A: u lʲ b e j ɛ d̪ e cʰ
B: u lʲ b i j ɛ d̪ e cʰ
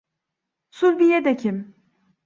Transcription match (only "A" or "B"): B